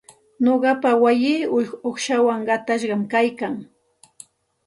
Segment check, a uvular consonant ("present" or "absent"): present